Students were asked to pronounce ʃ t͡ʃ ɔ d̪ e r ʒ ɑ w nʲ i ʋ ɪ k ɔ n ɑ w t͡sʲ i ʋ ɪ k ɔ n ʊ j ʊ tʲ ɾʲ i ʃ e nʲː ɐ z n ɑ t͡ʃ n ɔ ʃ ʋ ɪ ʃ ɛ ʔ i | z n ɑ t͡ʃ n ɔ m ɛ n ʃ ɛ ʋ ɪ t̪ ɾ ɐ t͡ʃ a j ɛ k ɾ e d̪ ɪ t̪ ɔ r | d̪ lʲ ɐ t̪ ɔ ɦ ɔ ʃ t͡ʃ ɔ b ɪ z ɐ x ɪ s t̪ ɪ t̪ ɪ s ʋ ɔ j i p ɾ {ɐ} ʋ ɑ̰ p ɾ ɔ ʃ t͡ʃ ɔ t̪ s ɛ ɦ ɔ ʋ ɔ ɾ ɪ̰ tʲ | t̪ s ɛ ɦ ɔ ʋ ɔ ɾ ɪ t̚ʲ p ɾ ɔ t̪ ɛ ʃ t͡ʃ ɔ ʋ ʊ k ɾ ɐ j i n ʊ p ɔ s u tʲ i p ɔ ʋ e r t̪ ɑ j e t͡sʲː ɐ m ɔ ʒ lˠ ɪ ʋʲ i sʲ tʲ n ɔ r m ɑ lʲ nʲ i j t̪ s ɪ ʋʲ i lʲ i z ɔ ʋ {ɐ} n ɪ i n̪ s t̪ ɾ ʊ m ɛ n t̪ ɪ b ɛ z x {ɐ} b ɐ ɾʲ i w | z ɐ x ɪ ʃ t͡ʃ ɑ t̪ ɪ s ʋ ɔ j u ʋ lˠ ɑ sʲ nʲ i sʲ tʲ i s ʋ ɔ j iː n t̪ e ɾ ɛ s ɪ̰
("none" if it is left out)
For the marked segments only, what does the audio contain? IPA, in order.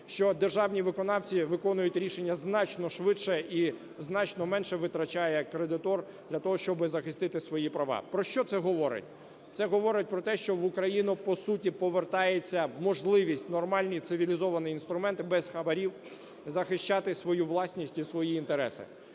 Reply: ɐ, ɐ, ɐ

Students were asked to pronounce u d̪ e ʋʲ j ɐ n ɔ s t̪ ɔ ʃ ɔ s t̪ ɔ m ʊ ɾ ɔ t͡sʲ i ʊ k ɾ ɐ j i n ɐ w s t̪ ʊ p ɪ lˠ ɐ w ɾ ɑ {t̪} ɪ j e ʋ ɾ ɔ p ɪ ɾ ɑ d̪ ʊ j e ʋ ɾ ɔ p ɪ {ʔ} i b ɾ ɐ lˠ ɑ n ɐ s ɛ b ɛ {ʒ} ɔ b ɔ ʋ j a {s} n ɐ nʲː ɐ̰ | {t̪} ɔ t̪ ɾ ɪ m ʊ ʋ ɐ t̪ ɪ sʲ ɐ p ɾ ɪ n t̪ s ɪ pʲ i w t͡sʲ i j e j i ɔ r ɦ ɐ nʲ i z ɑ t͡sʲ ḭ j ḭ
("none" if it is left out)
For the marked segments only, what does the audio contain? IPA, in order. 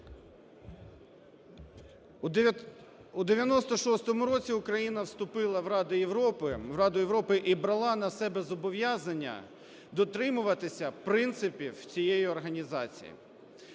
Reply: d̪, ʔ, z, z, d̪

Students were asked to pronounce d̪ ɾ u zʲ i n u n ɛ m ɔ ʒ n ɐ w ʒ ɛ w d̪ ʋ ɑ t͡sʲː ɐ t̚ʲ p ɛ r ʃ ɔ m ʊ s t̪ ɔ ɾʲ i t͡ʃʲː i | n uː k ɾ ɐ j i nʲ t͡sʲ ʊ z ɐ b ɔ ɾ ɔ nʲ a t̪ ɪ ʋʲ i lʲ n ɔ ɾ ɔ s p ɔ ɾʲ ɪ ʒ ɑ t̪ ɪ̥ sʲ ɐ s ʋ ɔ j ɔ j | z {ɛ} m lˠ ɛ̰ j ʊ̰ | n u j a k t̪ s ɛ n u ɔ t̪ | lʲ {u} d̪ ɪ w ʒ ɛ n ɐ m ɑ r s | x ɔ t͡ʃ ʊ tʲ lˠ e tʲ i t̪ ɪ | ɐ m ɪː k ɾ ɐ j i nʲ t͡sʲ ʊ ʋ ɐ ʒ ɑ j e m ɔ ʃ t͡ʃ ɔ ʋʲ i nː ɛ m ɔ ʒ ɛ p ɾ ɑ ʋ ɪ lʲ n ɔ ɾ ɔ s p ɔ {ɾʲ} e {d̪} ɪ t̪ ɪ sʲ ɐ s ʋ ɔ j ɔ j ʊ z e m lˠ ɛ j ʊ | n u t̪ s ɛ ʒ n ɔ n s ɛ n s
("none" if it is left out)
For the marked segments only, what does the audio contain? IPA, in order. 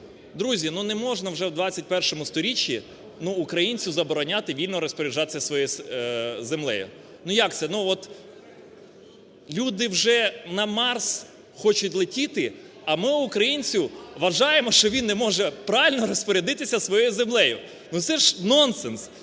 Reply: e, u, ɾʲ, d̪

